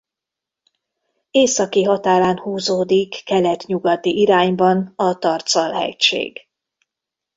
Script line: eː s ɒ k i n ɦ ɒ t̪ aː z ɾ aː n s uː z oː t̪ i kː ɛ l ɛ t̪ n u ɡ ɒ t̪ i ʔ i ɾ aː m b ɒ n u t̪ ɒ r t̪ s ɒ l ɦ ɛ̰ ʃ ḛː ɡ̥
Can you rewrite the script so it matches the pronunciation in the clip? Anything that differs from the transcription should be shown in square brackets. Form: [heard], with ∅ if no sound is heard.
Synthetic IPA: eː s ɒ k i [∅] ɦ ɒ t̪ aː [∅] ɾ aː n [h] uː z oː [d̪] i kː ɛ l ɛ t̪ [ɲ] u ɡ ɒ t̪ i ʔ i ɾ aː [ɲ] b ɒ n [ɒ] t̪ ɒ r t̪ s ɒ l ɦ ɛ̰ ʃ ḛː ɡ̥